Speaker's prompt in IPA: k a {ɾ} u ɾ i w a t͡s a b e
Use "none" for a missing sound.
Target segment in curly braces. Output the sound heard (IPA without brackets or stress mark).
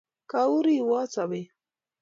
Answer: none